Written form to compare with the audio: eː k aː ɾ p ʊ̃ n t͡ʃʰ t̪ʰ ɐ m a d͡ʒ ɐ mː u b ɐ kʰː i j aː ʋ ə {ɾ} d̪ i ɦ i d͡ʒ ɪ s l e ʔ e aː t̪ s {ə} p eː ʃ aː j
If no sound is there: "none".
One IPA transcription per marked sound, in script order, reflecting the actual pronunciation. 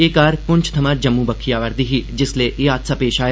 ɾ, a

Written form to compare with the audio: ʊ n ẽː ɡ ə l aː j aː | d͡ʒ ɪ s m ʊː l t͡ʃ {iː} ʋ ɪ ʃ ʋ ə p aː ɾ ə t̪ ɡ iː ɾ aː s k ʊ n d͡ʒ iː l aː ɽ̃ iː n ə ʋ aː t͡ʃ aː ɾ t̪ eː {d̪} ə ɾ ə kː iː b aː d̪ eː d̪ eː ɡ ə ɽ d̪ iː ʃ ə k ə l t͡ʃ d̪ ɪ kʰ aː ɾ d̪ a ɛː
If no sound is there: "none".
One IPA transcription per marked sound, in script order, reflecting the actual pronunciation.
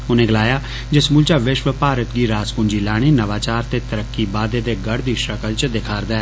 aː, t̪

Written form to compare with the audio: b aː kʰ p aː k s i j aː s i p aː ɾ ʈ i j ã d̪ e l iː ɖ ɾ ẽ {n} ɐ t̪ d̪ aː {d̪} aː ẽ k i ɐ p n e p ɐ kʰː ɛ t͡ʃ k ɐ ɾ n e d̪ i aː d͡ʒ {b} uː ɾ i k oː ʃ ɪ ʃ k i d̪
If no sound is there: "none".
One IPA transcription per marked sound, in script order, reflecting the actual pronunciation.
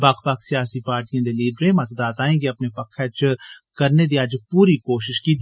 m, t̪, p

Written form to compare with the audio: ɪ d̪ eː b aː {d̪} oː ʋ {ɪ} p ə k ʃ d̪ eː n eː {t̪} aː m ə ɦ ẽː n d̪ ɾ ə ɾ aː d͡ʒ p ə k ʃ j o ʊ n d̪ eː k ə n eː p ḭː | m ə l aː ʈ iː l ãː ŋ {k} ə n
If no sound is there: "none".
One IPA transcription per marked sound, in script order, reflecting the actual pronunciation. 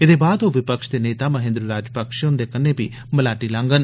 d̪, ɪ, t̪, ɡ

